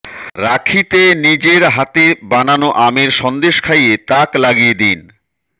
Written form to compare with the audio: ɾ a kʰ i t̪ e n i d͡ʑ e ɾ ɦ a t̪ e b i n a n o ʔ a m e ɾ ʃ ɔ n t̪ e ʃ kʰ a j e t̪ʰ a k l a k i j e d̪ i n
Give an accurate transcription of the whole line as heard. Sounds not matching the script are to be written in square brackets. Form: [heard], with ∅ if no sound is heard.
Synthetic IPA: ɾ a kʰ i t̪ e n i d͡ʑ e ɾ ɦ a t̪ e b [a] n a n o ʔ a m e ɾ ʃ ɔ n [d̪] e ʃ kʰ a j e [t̪] a k l a [ɡ] i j e d̪ i n